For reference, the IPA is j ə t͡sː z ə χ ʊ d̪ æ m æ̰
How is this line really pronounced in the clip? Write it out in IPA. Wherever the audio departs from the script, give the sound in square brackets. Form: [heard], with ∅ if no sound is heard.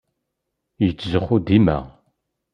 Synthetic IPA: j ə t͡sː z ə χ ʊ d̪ [i] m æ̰